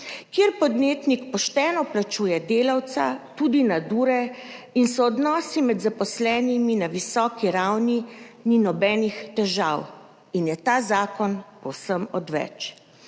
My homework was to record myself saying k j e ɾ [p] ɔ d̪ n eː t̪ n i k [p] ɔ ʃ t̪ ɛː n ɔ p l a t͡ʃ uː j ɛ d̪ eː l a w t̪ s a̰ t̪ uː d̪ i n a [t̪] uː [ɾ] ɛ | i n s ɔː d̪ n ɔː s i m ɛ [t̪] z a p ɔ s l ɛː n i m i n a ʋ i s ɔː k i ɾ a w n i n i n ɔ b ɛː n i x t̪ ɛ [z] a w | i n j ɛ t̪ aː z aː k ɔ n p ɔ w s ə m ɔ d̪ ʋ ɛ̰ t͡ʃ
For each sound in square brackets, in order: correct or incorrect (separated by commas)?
correct, correct, incorrect, correct, incorrect, incorrect